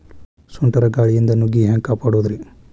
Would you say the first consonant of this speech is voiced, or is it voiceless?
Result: voiceless